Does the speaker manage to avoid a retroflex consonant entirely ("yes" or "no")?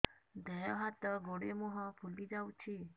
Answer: no